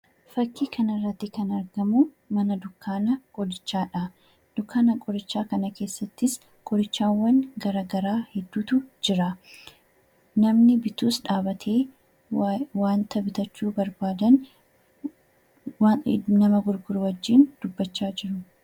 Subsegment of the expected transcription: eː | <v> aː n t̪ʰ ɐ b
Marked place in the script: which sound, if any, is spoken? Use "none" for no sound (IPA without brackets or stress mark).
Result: w